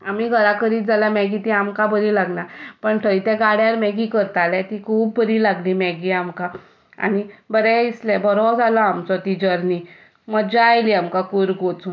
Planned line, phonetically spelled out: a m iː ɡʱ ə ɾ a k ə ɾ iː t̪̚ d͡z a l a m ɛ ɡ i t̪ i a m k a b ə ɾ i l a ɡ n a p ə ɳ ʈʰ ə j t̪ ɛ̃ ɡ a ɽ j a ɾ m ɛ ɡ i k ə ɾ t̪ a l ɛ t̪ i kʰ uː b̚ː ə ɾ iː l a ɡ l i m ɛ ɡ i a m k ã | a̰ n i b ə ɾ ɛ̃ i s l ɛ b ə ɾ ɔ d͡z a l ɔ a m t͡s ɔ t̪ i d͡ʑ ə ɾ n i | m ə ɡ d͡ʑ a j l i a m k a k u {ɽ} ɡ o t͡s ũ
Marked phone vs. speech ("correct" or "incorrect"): incorrect